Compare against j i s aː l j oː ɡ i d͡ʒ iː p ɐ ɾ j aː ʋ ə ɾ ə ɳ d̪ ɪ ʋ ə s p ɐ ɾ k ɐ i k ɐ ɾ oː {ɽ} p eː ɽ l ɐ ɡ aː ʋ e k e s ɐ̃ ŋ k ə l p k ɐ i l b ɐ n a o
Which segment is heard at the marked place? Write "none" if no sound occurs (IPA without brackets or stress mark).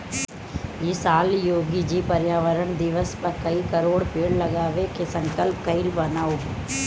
ɽ